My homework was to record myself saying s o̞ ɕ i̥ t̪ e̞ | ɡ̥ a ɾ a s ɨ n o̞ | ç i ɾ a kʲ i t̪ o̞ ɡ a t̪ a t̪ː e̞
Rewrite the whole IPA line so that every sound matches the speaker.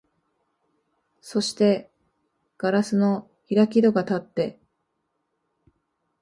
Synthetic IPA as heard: s o̞ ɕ i̥ t̪ e̞ | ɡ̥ a ɾ a s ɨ n o̞ | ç i ɾ a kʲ i d̪ o̞ ɡ a t̪ a t̪ː e̞